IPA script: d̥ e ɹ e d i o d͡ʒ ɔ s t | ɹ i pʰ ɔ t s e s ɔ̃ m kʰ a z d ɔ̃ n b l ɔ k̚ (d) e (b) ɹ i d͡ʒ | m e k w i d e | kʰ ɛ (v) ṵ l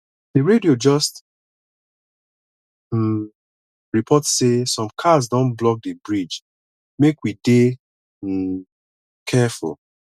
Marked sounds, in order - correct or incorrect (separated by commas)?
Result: correct, correct, incorrect